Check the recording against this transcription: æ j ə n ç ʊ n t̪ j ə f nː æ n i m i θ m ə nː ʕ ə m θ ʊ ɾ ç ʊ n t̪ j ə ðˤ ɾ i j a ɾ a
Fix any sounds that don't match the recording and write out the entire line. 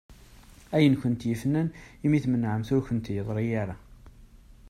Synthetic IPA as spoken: æ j ə n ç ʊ n t̪ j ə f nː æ n i m i θ m ə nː ʕ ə m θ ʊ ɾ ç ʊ n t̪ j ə ðˤ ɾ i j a ɾ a